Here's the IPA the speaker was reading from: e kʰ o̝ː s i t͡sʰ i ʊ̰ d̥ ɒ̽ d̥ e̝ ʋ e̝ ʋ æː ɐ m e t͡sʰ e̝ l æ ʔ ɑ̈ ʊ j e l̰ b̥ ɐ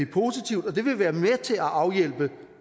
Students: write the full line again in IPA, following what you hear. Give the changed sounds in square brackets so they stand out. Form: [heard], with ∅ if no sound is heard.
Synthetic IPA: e [pʰ] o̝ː s i t͡sʰ i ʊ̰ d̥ ɒ̽ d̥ e̝ ʋ e̝ ʋ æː ɐ m e t͡sʰ e̝ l æ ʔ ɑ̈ ʊ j e l̰ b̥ [ə]